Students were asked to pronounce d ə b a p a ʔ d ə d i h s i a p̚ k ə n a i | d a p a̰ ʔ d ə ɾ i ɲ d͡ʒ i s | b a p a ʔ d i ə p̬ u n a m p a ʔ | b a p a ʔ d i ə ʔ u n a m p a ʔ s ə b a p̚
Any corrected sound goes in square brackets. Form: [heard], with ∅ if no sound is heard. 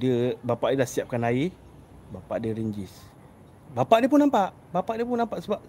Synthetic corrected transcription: d ə b a p a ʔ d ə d [a] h s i a p̚ k [a] n a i | [b] a p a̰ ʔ d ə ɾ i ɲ d͡ʒ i s | b a p a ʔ d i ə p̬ u n a m p a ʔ | b a p a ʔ d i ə [p] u n a m p a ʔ s ə b a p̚